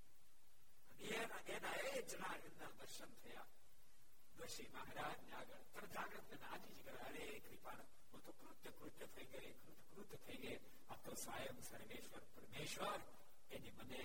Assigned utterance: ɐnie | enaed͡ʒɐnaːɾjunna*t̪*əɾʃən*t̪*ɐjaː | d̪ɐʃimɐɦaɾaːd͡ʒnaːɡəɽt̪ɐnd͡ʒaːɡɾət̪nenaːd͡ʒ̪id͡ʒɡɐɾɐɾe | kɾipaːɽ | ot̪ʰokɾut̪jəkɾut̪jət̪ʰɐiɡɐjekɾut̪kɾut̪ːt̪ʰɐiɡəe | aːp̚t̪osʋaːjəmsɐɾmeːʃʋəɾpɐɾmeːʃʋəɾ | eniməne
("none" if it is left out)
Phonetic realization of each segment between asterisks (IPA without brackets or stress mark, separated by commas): d̪, t̪ʰ